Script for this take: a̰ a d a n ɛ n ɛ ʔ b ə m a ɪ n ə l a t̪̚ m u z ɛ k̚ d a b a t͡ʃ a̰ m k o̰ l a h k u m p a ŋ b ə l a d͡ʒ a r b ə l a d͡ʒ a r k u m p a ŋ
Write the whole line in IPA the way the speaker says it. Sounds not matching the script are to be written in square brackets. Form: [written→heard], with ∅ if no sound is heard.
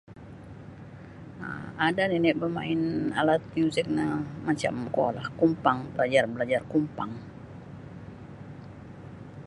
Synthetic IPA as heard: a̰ a d a n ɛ n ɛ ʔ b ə m a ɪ n [ə→a] l a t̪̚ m u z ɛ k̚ [d→n] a [b→m] a t͡ʃ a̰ m k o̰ l a h k u m p a ŋ b ə l a d͡ʒ a r b ə l a d͡ʒ a r k u m p a ŋ